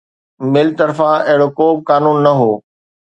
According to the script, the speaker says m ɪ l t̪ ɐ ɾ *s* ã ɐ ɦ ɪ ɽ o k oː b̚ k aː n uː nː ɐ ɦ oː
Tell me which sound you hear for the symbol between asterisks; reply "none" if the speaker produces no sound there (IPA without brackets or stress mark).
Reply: f